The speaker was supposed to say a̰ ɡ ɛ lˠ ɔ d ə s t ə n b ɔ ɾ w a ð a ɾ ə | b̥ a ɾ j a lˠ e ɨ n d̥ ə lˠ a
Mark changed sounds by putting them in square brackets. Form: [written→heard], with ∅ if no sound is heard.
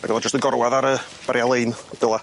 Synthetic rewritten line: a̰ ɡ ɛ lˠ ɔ [d→d͡ʒ] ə s t ə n [b→ɡ] ɔ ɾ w a ð a ɾ ə | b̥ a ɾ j a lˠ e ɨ n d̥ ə lˠ a